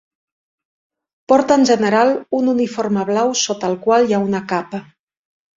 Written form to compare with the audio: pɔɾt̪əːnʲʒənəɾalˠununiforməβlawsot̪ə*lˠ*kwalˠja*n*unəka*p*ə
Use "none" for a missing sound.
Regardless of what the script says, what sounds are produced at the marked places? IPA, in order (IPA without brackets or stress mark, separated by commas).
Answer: lˠ, none, p